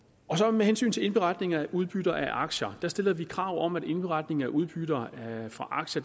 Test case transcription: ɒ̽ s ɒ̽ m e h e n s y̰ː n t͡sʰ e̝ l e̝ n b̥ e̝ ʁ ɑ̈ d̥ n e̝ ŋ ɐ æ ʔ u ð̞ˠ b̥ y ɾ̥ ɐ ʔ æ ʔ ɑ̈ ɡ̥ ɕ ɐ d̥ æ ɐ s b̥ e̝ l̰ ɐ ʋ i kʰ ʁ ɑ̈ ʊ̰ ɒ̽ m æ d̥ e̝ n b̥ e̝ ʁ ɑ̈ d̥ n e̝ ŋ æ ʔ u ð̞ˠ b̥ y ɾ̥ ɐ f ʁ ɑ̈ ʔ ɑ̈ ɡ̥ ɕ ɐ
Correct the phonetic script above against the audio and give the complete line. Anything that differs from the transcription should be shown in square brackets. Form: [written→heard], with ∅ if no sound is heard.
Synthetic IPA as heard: ɒ̽ s ɒ̽ m e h e n s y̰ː n t͡sʰ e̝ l e̝ n b̥ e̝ ʁ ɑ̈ d̥ n e̝ ŋ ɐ æ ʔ u ð̞ˠ b̥ y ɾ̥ ɐ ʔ æ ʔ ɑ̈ ɡ̥ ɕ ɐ d̥ æ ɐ s [b̥→d̥] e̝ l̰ ɐ ʋ i kʰ ʁ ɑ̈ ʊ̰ ɒ̽ m æ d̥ e̝ n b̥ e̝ ʁ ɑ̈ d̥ n e̝ ŋ æ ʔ u ð̞ˠ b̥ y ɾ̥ ɐ f ʁ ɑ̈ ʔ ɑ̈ ɡ̥ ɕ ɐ